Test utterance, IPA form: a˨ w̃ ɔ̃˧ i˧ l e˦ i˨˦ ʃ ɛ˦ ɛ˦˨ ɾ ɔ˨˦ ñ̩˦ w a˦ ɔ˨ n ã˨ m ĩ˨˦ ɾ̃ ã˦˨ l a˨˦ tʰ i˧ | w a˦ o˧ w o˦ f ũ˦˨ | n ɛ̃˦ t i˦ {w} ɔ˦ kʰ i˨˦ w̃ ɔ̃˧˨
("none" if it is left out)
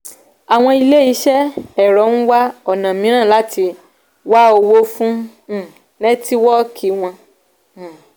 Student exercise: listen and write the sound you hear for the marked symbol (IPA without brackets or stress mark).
w